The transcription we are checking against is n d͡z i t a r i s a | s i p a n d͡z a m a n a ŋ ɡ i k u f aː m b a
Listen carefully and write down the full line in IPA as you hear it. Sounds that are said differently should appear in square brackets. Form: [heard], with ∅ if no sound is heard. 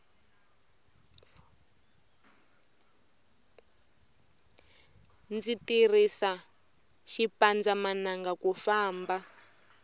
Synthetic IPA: n d͡z i t [i] r i s a | [ʃ] i p a n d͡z a m a n a ŋ ɡ [a] k u f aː m b a